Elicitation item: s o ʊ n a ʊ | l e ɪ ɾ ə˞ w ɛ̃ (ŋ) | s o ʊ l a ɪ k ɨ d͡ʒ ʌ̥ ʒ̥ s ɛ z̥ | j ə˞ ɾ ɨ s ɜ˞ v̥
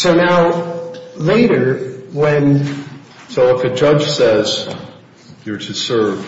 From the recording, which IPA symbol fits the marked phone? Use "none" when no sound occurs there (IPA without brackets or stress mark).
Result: n